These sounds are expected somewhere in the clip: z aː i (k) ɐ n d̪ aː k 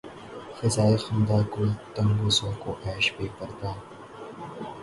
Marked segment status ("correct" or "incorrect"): incorrect